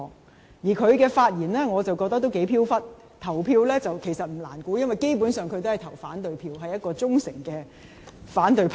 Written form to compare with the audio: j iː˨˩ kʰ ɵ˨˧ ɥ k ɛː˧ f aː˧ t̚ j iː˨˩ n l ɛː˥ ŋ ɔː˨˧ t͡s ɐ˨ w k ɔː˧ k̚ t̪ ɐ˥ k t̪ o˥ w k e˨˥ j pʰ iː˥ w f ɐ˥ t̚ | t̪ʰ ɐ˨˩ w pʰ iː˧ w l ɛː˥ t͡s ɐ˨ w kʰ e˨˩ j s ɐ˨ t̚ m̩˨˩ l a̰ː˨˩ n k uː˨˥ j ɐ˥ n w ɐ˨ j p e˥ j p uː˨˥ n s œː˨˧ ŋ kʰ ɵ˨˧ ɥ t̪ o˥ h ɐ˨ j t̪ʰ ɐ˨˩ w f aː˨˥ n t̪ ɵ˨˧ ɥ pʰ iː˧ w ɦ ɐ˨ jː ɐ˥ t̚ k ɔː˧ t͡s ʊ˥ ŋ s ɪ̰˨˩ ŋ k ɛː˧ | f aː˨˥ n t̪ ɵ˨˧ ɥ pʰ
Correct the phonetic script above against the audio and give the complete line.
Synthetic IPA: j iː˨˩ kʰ ɵ˨˧ ɥ k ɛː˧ f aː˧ t̚ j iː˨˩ n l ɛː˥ ŋ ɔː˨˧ t͡s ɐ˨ w k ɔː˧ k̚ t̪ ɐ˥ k t̪ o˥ w k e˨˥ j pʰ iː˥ w f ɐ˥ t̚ | t̪ʰ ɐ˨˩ w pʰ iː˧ w l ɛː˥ t͡s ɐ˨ w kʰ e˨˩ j s ɐ˨ t̚ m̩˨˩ l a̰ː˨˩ n k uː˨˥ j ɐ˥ n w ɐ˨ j k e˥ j p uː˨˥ n s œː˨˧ ŋ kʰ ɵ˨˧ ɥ t̪ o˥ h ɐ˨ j t̪ʰ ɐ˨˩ w f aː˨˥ n t̪ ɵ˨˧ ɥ pʰ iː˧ w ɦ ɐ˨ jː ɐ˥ t̚ k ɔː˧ t͡s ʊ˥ ŋ s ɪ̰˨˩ ŋ k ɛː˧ | f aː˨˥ n t̪ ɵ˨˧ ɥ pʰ

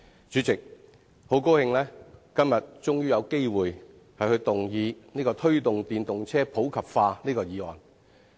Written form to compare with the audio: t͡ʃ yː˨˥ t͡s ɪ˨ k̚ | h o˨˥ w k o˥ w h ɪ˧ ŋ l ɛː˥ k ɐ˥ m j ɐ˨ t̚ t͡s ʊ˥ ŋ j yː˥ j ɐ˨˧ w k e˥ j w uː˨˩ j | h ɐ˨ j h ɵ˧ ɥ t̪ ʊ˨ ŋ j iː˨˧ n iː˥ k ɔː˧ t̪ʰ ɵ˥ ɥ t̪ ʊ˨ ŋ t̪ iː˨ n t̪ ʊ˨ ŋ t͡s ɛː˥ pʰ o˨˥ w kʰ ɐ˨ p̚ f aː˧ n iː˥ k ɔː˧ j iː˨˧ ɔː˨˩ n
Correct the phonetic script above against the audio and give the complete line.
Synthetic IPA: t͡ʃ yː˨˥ t͡s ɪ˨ k̚ | h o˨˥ w k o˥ w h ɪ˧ ŋ l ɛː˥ k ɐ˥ m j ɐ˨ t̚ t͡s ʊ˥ ŋ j yː˥ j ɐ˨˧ w k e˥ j w uː˨˩ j | h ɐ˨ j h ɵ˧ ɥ t̪ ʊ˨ ŋ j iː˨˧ n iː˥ k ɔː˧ t̪ʰ ɵ˥ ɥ t̪ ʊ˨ ŋ t̪ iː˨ n t̪ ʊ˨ ŋ t͡sʰ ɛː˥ pʰ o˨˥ w kʰ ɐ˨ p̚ f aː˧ n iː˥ k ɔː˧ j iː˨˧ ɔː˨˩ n

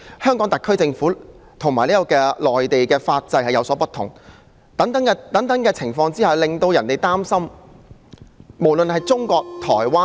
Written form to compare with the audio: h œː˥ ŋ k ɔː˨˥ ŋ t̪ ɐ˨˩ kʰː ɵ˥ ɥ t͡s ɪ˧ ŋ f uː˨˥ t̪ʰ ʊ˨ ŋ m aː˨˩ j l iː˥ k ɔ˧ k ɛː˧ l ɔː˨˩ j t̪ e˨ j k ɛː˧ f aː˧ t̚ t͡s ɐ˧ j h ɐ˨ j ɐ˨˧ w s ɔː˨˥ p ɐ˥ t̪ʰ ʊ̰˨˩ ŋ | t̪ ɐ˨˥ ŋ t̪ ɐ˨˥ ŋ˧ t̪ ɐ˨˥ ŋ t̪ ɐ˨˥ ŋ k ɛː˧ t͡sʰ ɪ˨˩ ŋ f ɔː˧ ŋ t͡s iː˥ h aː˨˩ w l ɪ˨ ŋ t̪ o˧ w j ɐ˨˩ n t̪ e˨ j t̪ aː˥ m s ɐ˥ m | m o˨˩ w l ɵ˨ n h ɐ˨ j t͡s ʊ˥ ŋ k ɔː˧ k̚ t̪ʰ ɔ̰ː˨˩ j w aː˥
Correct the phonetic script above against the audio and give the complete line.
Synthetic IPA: h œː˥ ŋ k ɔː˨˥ ŋ t̪ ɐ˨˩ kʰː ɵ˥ ɥ t͡s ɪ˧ ŋ f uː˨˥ t̪ʰ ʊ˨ ŋ m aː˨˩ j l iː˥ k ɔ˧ k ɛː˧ l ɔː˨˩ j t̪ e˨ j k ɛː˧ f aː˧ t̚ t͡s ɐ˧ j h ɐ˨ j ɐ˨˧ w s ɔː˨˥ p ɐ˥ t̪ʰ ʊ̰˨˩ ŋ | t̪ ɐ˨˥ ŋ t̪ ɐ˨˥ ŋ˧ t̪ ɐ˨˥ ŋ t̪ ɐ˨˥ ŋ k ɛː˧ t͡sʰ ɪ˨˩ ŋ f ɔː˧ ŋ t͡s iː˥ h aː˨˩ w l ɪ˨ ŋ t̪ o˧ w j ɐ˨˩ n t̪ e˨ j t̪ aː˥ m s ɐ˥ m | m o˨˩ w l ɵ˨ n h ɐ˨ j t͡s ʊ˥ ŋ k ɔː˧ k̚ t̪ʰ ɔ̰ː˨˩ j w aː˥

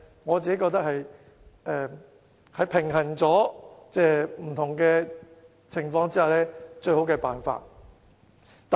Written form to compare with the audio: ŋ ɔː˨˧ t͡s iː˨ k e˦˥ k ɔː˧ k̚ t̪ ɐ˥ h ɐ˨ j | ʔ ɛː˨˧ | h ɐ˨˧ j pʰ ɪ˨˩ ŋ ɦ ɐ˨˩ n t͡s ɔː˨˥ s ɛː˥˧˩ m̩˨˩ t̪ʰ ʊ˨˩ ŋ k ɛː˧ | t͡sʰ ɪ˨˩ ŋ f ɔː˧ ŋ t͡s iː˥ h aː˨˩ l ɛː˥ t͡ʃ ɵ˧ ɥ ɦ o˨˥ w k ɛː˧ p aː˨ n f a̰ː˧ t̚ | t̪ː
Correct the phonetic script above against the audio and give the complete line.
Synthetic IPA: ŋ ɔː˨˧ t͡s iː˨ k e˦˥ k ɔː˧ k̚ t̪ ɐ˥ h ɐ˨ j | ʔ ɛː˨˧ | h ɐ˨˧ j pʰ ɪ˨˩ ŋ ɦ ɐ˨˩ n t͡s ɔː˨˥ t͡s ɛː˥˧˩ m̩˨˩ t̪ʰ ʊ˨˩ ŋ k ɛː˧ | t͡sʰ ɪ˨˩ ŋ f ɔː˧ ŋ t͡s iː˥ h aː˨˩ l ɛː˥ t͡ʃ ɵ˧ ɥ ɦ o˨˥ w k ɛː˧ p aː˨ n f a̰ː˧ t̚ | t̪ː

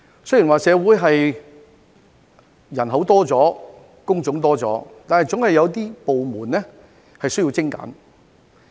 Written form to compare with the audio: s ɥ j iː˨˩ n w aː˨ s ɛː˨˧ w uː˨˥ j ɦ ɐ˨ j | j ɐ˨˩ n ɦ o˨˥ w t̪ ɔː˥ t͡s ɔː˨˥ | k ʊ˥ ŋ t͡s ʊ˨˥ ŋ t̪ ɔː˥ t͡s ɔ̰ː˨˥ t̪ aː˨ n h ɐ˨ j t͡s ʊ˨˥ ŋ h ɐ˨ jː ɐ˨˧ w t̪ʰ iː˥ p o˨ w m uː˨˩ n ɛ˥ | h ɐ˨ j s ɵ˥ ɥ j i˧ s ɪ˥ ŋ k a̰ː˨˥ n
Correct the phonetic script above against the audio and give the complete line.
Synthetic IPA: s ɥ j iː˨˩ n w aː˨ s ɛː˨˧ w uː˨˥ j ɦ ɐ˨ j | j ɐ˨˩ n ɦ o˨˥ w t̪ ɔː˥ t͡s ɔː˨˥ | k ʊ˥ ŋ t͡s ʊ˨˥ ŋ t̪ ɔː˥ t͡s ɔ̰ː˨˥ t̪ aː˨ n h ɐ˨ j t͡s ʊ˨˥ ŋ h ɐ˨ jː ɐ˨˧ w t̪ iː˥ p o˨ w m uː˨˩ n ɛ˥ | h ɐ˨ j s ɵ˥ ɥ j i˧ t͡s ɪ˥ ŋ k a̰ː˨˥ n

